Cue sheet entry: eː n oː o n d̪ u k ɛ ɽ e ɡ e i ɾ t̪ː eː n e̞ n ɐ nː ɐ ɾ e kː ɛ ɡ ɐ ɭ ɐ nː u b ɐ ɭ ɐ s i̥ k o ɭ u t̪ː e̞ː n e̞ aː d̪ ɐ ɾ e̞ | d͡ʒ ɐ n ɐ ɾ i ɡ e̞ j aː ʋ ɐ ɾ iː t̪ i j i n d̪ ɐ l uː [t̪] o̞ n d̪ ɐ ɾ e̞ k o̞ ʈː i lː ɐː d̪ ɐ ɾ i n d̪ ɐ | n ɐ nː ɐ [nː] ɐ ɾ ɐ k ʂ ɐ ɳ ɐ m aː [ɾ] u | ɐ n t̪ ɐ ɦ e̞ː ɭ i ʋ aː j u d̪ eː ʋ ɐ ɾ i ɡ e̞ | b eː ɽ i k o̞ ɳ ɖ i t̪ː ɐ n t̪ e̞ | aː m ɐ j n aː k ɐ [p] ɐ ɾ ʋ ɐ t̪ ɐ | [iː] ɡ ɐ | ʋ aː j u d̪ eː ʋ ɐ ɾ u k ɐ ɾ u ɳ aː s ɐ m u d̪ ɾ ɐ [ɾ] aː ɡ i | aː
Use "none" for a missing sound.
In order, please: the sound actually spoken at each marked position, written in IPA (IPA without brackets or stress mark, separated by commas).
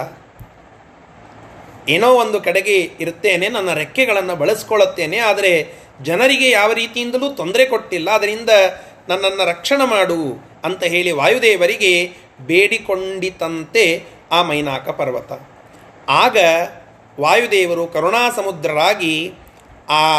t̪, nː, ɽ, p, aː, ɾ